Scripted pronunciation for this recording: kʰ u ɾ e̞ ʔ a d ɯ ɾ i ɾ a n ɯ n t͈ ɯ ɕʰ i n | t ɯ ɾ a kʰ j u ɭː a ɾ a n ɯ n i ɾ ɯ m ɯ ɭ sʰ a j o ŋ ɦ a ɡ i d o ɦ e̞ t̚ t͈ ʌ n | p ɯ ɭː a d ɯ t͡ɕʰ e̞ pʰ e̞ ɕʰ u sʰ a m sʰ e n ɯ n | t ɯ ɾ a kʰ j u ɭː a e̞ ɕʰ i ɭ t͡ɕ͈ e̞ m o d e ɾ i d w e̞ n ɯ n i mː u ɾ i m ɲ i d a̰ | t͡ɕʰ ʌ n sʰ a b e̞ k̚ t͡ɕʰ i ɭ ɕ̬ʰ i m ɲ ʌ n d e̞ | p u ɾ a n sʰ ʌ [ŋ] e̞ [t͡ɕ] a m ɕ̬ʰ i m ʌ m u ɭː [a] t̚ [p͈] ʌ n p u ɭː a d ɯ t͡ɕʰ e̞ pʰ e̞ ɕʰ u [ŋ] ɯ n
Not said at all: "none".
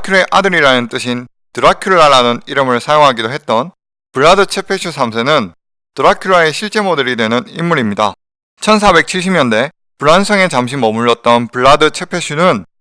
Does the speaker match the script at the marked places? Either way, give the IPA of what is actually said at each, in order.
ŋ, t͡ɕ, ʌ, t͈, n

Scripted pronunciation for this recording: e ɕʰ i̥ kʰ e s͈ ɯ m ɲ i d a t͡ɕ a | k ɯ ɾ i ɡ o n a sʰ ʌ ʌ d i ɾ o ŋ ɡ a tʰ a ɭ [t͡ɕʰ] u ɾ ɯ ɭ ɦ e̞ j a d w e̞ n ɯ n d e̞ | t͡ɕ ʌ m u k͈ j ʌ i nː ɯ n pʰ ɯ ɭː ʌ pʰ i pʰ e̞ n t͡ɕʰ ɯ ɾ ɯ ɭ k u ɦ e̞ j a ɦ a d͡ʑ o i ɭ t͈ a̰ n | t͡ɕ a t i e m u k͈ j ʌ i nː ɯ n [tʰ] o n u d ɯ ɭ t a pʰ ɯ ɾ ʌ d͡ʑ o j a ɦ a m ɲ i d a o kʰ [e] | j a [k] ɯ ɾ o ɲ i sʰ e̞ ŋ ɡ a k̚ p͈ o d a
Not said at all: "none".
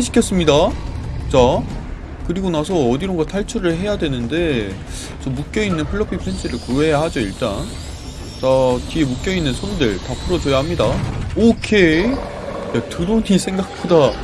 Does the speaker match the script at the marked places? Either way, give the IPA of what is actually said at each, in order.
t͡ɕʰ, sʰ, e, t

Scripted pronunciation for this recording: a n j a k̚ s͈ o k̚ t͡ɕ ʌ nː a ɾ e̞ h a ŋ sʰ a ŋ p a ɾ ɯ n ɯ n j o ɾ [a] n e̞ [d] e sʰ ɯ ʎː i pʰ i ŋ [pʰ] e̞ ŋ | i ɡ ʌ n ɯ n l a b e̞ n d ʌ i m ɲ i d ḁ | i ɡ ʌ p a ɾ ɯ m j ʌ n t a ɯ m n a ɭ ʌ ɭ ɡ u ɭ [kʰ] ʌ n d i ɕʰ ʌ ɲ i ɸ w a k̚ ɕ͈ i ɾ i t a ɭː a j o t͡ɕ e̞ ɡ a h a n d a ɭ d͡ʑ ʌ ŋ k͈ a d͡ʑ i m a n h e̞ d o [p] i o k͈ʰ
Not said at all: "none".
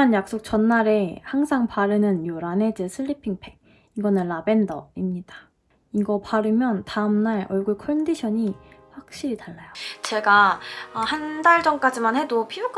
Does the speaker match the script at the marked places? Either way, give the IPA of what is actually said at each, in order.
a, d͡ʑ, pʰ, kʰ, pʰ

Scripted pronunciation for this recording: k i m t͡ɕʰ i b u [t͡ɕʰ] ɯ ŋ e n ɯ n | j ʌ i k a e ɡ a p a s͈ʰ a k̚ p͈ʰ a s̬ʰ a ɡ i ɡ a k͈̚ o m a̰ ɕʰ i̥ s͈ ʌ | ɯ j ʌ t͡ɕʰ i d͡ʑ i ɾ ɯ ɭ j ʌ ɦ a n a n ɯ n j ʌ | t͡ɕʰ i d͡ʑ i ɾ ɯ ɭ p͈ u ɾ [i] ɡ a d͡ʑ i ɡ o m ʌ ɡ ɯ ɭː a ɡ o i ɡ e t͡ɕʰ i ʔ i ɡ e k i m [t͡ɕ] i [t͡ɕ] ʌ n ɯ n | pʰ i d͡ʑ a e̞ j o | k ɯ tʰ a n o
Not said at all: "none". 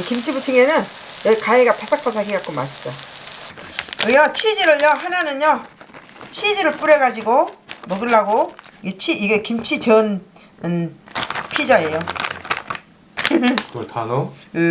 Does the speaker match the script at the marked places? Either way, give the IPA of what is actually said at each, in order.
t͡ɕʰ, e, t͡ɕʰ, t͡ɕ

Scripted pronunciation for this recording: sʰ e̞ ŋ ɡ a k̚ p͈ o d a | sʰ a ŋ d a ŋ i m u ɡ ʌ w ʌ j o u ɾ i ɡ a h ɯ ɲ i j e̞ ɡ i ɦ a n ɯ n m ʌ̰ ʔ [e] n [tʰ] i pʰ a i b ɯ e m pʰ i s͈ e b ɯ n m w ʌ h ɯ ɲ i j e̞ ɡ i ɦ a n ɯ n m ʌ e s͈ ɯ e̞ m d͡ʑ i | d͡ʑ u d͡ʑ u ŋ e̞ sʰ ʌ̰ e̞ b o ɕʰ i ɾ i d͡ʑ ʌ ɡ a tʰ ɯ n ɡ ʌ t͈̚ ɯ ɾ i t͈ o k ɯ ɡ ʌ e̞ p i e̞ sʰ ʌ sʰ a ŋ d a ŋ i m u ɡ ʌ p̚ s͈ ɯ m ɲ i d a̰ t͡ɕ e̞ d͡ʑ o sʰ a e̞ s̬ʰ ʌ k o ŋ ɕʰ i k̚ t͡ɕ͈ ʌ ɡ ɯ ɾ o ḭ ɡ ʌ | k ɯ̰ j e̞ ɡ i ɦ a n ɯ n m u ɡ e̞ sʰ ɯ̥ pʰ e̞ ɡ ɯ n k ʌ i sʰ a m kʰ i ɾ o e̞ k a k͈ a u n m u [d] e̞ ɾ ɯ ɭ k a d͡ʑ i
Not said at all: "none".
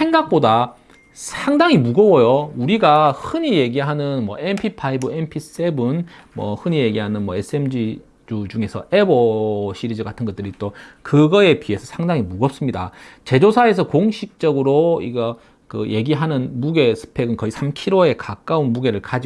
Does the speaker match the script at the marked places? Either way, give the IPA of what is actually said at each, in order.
e, pʰ, ɡ

